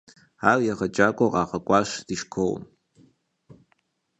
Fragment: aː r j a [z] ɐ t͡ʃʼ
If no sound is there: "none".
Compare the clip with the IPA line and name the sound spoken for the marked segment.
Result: ʁ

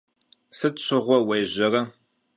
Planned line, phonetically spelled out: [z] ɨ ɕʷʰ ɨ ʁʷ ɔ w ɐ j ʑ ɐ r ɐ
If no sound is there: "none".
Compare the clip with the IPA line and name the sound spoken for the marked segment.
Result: s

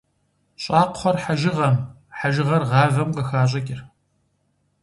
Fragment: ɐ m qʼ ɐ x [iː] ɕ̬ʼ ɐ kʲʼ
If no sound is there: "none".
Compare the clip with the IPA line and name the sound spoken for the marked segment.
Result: aː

